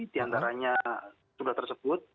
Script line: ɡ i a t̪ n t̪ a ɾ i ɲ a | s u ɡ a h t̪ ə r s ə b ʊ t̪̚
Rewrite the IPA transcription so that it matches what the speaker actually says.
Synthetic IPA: d i a n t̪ a ɾ a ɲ a | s u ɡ a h t̪ ə r s ə b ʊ t̪̚